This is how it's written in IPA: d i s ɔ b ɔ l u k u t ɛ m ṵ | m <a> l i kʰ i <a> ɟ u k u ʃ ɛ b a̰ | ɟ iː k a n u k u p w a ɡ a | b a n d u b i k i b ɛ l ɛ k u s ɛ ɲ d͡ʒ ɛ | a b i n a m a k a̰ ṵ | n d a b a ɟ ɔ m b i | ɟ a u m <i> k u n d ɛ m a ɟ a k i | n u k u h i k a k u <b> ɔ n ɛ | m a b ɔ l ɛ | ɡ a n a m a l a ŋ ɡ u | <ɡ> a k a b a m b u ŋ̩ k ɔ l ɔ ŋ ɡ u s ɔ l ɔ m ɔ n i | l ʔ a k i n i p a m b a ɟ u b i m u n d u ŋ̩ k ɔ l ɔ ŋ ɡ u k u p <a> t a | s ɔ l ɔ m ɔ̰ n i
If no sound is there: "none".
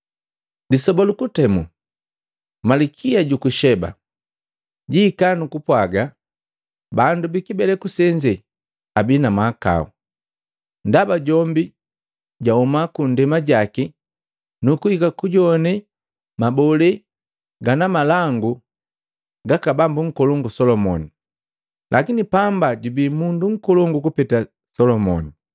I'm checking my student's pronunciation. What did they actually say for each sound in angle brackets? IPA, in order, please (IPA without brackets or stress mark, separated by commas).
a, a, a, ɟ, ɡ, ɛ